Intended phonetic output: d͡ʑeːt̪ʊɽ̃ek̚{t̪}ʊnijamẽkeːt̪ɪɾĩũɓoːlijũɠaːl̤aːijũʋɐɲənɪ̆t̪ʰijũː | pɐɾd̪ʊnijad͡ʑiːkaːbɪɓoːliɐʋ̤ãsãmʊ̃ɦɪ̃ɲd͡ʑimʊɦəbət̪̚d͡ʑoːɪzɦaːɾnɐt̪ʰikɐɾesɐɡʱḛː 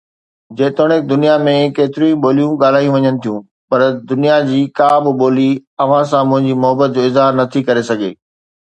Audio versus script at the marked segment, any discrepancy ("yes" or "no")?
yes